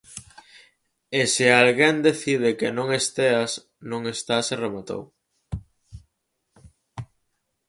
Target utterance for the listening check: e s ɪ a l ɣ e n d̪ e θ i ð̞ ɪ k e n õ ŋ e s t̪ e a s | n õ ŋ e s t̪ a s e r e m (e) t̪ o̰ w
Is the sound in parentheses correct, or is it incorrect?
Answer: incorrect